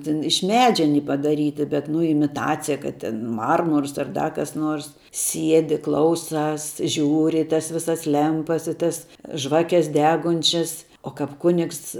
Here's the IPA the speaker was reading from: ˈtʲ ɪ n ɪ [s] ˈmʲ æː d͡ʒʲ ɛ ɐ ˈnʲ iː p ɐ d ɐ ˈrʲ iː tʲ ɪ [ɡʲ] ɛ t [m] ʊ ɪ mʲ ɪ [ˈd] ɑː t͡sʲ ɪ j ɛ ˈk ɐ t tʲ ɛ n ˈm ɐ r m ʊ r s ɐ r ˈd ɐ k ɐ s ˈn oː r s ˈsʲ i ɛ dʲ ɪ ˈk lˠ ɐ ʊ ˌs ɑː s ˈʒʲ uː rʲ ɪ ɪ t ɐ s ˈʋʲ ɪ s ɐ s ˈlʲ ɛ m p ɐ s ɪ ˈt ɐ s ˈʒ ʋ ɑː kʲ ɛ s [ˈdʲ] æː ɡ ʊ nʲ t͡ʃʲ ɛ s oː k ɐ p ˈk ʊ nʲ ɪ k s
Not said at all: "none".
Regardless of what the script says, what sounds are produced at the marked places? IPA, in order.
ʃ, bʲ, n, t, dʲ

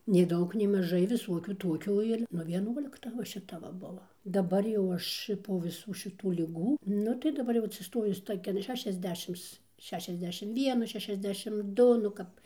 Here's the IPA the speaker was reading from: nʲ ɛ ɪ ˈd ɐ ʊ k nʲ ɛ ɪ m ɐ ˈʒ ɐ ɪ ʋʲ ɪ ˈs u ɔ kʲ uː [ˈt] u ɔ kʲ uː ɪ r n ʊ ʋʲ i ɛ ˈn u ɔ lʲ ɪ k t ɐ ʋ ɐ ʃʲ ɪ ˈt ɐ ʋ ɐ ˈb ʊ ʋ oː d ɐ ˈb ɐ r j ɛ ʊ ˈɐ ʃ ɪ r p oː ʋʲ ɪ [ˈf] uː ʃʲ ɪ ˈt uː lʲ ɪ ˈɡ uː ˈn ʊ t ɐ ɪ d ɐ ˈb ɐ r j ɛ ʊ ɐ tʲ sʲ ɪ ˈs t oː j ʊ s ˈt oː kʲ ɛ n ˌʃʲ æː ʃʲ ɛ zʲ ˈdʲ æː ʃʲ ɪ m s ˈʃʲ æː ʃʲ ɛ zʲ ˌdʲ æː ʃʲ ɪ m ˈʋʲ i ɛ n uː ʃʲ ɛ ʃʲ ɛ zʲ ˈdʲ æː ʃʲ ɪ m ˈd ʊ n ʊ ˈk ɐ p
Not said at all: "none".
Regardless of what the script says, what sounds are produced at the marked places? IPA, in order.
t, s

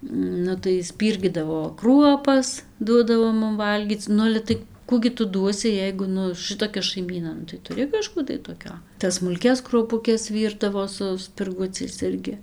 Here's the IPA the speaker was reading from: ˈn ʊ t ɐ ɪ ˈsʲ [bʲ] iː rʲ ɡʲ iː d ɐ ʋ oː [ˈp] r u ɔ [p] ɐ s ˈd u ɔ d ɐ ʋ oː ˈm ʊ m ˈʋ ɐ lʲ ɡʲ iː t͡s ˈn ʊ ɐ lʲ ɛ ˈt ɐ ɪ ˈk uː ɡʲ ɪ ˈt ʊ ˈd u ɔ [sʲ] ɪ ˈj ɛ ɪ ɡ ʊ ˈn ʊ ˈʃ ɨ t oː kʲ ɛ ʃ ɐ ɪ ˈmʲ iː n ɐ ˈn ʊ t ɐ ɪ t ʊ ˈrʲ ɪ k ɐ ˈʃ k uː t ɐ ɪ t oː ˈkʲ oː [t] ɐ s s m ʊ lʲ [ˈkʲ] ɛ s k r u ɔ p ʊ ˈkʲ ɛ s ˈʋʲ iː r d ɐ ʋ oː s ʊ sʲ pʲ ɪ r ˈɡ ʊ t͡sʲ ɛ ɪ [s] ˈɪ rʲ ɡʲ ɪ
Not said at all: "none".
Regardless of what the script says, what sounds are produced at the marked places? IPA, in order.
pʲ, k, p, sʲ, t, kʲ, s

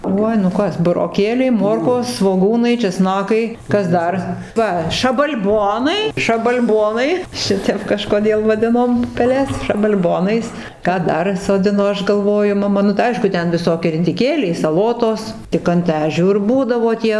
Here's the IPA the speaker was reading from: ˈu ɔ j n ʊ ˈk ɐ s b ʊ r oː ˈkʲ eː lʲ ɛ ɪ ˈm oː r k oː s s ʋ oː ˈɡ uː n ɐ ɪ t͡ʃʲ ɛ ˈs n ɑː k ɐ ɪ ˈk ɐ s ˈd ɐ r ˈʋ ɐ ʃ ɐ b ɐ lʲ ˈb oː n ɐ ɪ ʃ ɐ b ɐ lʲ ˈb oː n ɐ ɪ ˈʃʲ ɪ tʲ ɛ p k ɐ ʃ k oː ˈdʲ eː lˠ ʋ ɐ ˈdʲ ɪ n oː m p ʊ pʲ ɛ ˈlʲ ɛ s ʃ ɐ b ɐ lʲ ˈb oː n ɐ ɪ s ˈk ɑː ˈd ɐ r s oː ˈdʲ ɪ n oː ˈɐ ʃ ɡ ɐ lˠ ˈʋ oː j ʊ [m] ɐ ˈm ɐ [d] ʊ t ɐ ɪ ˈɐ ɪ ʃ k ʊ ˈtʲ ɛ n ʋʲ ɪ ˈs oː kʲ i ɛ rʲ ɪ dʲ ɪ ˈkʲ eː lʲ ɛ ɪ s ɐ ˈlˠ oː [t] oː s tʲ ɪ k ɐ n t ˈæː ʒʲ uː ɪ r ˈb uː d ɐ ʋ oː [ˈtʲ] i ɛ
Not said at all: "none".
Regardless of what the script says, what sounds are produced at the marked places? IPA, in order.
m, n, t, tʲ

